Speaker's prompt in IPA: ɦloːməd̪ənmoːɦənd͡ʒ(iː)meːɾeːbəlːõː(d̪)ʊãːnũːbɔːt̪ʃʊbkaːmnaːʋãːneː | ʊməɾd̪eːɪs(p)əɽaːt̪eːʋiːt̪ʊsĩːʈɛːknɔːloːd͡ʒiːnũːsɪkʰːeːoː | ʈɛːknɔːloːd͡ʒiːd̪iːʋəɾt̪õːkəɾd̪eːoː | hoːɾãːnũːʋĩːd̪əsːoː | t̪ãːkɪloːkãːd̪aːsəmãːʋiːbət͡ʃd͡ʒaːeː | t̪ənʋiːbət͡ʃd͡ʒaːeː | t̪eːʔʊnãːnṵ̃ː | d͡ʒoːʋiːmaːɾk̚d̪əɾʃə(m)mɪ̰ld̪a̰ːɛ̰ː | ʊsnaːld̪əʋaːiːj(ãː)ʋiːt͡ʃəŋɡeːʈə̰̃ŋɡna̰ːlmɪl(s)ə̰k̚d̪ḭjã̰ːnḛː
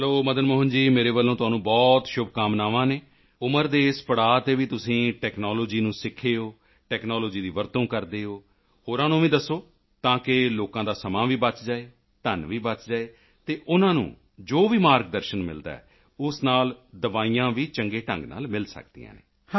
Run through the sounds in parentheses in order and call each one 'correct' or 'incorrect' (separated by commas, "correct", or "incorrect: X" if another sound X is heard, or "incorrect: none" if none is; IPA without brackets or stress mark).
correct, incorrect: t̪, correct, incorrect: n, correct, correct